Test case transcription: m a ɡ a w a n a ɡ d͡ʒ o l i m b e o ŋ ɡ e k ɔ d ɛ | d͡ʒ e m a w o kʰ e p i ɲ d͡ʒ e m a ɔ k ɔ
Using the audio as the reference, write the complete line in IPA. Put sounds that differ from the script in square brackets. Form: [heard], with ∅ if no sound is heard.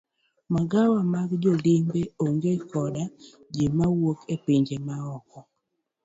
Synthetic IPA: m a ɡ a w a [m] a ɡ d͡ʒ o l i m b e o ŋ ɡ e k ɔ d [a] | d͡ʒ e m a w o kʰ e p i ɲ d͡ʒ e m a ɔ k ɔ